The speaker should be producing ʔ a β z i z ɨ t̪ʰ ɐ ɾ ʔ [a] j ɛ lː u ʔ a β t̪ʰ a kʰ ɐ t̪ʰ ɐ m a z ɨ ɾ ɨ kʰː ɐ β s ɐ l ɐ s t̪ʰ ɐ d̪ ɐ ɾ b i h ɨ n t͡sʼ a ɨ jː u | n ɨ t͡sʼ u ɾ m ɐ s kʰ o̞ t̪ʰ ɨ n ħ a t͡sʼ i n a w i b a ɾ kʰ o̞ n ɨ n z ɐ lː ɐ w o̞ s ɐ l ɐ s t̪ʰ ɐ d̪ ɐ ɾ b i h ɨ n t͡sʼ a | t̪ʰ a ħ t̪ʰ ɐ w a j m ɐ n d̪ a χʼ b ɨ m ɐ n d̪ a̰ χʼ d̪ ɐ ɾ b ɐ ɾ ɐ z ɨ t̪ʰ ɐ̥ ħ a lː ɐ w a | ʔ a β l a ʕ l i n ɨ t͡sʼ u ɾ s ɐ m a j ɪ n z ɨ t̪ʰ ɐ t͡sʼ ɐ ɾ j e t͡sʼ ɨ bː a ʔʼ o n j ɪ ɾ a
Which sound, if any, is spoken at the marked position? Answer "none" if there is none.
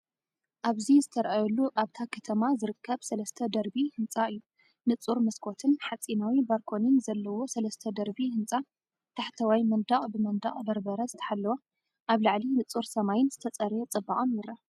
a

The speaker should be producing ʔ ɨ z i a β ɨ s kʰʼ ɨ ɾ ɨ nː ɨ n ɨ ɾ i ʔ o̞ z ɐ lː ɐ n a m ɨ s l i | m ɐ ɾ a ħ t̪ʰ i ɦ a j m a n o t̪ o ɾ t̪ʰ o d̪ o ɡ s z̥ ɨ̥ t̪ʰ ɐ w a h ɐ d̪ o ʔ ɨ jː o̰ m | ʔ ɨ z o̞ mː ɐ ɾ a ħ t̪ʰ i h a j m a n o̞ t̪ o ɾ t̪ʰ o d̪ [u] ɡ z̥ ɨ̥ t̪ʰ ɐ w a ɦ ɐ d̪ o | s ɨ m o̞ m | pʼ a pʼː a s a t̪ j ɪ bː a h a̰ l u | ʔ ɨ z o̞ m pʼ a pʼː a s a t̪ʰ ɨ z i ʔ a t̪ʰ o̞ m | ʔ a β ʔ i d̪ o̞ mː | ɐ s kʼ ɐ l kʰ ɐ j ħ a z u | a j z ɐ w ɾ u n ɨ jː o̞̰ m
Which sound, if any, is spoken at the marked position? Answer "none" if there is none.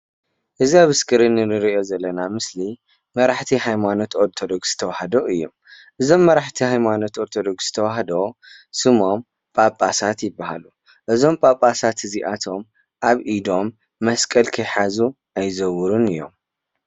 o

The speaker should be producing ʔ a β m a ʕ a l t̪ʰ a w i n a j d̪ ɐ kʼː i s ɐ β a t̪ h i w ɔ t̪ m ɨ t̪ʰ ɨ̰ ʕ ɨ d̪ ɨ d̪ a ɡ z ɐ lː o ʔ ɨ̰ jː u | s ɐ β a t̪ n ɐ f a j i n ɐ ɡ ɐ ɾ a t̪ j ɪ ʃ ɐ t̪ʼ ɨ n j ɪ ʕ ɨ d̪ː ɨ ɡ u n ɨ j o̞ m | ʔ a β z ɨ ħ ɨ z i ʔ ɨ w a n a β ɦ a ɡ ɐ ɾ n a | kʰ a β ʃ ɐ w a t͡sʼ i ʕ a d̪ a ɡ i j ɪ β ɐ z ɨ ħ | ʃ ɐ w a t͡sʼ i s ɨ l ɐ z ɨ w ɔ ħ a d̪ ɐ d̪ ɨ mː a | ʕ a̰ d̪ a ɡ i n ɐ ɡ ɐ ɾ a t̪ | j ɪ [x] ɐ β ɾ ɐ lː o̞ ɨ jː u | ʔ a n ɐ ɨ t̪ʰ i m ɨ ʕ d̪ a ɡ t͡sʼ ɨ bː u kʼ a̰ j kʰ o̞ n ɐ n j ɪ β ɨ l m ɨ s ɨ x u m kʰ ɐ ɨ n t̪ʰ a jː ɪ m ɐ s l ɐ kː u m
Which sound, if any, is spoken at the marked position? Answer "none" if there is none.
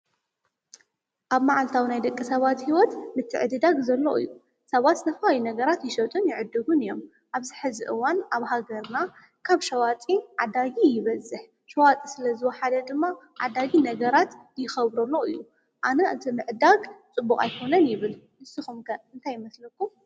x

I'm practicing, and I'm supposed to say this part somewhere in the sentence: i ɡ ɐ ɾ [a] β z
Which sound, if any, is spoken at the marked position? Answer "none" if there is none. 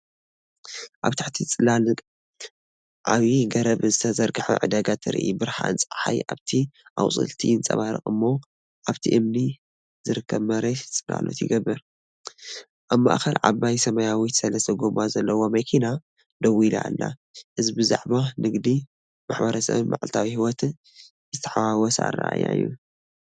ɐ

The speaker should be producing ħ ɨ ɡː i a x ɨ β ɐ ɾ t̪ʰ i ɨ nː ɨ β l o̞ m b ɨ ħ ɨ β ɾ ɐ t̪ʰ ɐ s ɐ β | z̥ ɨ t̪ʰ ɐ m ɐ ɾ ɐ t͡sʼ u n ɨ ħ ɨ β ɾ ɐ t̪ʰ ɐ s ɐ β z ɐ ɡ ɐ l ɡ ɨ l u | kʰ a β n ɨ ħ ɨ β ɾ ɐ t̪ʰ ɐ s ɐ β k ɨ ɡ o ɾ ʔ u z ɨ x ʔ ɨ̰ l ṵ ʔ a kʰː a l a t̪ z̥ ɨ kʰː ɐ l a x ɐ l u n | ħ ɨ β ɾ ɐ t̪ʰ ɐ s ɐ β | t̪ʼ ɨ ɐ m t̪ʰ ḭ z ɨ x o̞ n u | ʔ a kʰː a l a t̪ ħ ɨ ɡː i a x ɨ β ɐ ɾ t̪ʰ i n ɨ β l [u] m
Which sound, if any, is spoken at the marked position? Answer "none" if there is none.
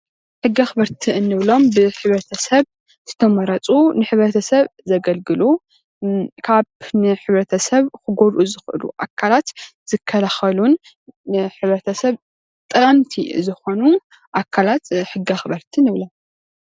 o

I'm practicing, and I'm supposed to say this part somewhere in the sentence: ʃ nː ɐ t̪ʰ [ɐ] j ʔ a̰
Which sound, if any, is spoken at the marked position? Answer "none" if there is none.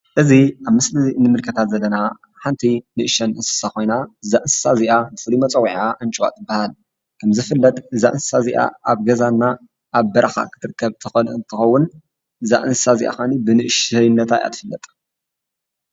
a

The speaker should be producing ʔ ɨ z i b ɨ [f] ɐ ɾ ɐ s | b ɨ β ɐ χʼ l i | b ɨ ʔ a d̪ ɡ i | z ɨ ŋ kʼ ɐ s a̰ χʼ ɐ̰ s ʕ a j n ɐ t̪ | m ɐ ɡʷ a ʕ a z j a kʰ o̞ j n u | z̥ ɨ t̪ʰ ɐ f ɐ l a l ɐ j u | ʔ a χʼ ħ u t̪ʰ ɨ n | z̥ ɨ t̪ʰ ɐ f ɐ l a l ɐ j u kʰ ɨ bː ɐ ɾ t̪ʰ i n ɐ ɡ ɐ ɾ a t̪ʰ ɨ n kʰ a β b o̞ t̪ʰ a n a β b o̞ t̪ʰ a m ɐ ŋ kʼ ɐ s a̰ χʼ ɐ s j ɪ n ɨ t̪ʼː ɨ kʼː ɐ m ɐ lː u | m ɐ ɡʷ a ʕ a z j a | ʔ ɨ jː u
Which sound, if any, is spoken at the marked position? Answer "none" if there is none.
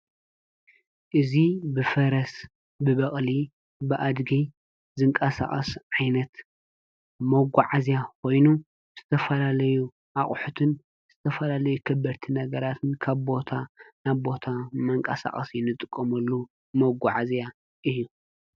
f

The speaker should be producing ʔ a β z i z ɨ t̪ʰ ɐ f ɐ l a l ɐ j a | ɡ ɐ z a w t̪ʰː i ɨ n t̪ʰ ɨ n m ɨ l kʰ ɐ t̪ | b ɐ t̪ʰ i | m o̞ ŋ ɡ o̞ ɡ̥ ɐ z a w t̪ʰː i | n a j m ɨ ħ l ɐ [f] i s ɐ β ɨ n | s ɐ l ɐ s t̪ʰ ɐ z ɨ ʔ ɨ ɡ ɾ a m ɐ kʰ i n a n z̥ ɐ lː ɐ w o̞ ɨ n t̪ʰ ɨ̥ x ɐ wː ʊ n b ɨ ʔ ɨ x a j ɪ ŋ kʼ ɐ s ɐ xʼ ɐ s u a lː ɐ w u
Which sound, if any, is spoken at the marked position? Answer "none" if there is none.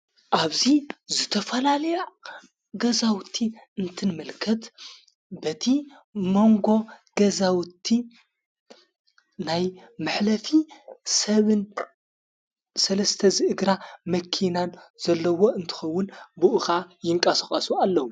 f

